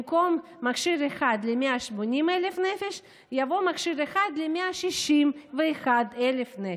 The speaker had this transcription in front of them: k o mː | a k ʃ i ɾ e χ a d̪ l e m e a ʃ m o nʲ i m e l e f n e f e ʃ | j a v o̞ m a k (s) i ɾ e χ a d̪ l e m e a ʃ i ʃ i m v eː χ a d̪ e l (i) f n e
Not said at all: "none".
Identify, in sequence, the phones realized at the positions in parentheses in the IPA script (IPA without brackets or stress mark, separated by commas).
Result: ʃ, e